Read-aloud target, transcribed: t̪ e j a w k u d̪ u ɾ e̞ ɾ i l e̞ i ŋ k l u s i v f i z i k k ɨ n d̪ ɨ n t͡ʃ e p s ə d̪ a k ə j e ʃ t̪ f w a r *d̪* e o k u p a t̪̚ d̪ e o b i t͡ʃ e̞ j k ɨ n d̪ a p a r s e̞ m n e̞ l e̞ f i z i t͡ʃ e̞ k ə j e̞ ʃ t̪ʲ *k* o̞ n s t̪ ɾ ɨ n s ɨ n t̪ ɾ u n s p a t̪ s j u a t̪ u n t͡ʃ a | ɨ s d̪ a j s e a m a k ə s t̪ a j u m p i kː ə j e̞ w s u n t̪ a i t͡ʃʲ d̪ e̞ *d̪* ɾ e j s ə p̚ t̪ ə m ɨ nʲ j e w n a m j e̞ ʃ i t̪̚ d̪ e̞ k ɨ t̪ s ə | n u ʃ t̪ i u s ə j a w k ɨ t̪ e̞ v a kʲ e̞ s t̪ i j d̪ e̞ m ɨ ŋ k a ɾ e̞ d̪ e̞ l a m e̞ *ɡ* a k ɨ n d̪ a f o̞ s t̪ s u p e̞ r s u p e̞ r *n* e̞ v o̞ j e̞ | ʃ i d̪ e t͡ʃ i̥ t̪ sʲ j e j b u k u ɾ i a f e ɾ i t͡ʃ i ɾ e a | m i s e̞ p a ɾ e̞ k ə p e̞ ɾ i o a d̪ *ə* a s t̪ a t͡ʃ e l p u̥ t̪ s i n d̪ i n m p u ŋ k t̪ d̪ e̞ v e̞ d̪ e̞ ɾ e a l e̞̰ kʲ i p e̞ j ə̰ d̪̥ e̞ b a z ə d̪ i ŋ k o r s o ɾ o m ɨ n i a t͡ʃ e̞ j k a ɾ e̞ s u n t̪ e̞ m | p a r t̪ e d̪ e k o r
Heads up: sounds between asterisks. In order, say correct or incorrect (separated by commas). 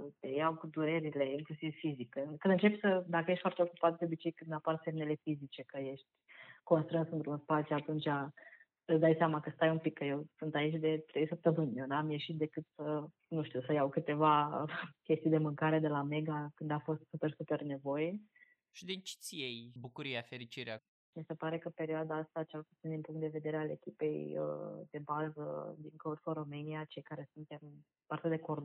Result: incorrect, correct, incorrect, correct, correct, incorrect